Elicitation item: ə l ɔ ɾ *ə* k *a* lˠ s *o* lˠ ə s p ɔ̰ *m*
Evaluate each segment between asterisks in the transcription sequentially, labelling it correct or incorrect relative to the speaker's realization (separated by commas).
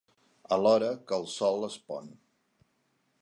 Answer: correct, incorrect, incorrect, incorrect